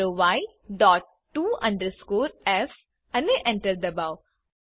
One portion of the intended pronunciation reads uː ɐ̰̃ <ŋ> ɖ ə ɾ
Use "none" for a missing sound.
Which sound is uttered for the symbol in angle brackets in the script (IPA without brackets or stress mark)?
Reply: ɳ